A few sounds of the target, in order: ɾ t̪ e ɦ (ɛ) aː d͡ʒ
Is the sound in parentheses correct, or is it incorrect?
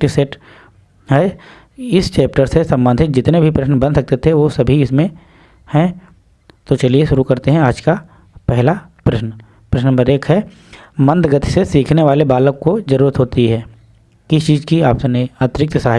incorrect: ɛ̃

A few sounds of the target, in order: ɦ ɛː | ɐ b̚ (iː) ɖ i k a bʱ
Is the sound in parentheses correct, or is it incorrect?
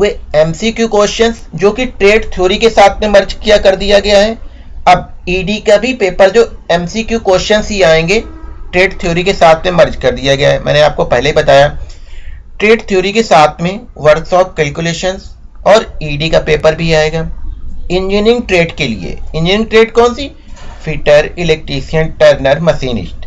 correct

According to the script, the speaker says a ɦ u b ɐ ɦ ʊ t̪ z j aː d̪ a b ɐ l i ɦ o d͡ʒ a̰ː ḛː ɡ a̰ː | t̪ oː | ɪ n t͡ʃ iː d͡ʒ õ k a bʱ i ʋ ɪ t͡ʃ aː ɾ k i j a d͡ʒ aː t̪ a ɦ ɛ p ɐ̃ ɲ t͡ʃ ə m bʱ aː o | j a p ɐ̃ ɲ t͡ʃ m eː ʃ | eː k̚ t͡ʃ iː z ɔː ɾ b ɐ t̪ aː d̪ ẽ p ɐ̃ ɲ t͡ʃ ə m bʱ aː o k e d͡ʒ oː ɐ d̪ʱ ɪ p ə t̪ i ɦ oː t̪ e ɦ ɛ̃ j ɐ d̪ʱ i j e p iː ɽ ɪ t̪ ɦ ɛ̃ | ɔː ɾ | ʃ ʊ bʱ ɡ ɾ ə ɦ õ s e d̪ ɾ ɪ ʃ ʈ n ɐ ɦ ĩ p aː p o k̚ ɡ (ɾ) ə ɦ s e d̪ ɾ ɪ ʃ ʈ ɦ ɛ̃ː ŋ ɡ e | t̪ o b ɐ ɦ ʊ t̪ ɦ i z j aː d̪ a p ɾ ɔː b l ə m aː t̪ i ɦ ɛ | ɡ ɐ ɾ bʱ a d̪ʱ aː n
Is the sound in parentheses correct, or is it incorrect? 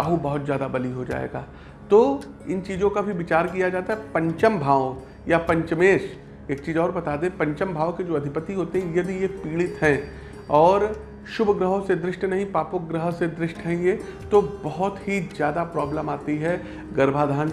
correct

